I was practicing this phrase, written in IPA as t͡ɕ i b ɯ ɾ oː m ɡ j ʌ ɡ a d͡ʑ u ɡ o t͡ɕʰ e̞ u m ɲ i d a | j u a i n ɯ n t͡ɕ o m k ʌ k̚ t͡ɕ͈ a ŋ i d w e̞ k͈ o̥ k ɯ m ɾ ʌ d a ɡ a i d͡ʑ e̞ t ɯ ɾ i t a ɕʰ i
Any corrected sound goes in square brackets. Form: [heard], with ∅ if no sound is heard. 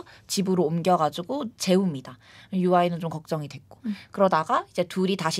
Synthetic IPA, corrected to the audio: t͡ɕ i b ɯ ɾ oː m ɡ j ʌ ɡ a d͡ʑ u ɡ o [t͡ɕ] e̞ u m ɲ i d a | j u a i n ɯ n t͡ɕ o m k ʌ k̚ t͡ɕ͈ [ʌ] ŋ i d w e̞ k͈ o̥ k ɯ [∅] ɾ ʌ d a ɡ a i d͡ʑ e̞ t [u] ɾ i t a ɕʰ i